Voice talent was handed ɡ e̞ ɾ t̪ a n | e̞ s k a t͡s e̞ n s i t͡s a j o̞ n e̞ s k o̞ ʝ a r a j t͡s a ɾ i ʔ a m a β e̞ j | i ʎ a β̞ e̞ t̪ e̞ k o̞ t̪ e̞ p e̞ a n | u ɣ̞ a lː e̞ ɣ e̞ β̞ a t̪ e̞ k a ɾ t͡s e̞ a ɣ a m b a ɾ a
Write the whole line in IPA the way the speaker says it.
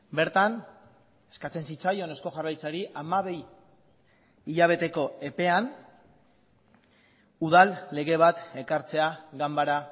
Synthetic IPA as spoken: b e̞ ɾ t̪ a n | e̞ s k a t͡s e̞ n s i t͡s a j o̞ n e̞ s k o̞ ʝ a r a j t͡s a ɾ i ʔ a m a β e̞ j | i ʎ a β̞ e̞ t̪ e̞ k o̞ e̞ p e̞ a n | u ð̞ a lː e̞ ɣ e̞ β̞ a t̪ e̞ k a ɾ t͡s e̞ a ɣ a m b a ɾ a